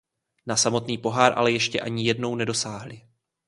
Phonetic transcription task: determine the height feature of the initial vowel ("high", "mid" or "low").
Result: low